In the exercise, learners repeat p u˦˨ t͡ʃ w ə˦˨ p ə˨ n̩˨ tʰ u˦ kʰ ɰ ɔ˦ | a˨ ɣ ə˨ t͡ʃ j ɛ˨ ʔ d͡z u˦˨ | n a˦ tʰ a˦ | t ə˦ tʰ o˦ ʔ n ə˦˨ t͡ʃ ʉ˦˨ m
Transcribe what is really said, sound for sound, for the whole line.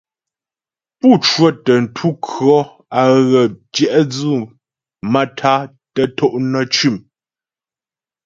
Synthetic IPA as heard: p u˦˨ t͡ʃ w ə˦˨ t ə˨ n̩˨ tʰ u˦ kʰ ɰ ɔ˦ | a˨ ɣ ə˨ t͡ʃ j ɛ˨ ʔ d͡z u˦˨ | m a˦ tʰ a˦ | t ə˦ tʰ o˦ ʔ n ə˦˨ t͡ʃ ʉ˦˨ m